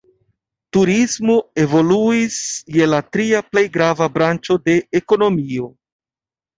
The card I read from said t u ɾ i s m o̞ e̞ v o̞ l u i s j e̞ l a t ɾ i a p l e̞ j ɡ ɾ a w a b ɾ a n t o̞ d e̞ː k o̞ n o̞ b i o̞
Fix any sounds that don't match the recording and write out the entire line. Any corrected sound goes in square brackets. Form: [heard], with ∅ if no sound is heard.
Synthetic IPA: t u ɾ i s m o̞ e̞ v o̞ l u i s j e̞ l a t ɾ i a p l e̞ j ɡ ɾ a [v] a b ɾ a n [t͡ʃ] o̞ d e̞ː k o̞ n o̞ [m] i o̞